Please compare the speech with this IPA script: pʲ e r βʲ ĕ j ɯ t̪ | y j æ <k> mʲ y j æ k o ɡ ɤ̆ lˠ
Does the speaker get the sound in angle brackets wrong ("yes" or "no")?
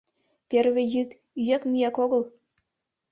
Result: no